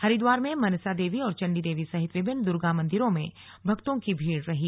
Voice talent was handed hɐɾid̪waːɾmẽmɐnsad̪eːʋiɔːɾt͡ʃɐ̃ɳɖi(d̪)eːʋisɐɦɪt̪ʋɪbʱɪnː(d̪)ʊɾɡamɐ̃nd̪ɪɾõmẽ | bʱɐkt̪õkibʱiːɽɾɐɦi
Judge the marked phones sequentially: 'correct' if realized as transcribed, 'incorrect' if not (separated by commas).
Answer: correct, correct